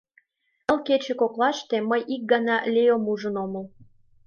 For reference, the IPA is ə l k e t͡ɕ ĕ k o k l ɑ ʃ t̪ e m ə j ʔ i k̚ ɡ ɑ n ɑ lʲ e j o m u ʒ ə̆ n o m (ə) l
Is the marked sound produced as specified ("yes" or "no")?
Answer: yes